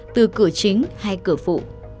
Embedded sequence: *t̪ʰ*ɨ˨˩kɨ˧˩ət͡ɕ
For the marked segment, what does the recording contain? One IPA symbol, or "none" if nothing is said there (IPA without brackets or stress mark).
t̪